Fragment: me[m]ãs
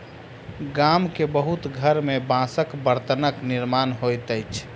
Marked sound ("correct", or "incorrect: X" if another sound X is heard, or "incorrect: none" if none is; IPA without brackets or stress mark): incorrect: b